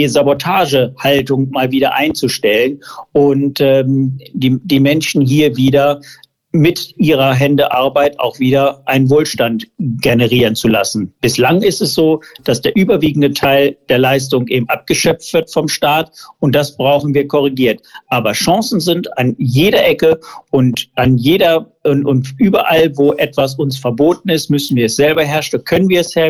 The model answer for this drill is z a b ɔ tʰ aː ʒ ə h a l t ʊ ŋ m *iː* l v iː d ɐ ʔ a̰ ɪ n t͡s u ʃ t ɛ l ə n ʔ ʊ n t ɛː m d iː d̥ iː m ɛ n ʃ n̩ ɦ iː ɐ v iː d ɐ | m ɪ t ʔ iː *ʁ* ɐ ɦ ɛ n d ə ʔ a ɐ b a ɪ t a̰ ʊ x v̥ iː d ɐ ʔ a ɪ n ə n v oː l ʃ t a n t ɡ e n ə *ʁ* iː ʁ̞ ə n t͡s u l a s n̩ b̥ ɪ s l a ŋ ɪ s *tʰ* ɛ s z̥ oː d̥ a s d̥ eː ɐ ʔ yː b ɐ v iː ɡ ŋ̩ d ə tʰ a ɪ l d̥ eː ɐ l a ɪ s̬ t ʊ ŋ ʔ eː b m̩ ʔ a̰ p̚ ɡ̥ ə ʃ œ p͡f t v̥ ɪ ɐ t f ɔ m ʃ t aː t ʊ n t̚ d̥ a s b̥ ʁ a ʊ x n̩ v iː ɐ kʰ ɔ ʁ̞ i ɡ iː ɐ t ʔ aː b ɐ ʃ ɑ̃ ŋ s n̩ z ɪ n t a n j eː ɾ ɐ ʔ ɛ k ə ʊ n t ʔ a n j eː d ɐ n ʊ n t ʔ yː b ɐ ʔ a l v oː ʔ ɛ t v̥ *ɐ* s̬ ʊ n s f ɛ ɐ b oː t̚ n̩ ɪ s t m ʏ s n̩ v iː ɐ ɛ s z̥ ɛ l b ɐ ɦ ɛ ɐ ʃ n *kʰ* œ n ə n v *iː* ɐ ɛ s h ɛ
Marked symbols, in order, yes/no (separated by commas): no, yes, yes, no, no, yes, yes